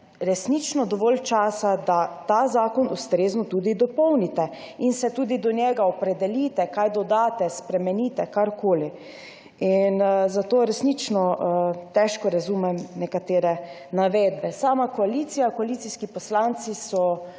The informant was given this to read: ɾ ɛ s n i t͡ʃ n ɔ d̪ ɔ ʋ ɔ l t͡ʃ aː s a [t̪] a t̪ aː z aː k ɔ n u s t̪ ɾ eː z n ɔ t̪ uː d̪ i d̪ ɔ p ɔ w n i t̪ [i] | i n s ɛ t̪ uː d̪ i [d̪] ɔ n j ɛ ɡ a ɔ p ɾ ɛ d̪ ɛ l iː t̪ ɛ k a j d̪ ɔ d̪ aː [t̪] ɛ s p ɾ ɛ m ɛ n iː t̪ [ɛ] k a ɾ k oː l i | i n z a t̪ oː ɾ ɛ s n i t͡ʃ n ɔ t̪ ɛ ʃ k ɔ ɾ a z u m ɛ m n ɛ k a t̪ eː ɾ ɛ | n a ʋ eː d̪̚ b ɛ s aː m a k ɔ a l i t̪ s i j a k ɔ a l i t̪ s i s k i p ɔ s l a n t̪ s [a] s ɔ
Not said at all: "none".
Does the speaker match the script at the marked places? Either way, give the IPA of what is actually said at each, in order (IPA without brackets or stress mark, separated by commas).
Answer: d̪, ɛ, d̪, t̪, ɛ, i